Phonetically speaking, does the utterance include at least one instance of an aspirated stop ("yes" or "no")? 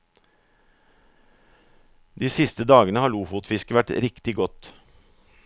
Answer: no